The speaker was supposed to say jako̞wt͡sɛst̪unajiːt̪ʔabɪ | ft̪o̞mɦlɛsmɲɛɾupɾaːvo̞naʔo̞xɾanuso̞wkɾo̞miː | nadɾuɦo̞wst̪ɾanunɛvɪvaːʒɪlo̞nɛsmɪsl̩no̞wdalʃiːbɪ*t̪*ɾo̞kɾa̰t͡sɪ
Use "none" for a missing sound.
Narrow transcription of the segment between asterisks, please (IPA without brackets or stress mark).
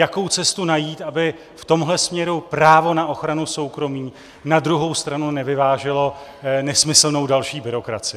none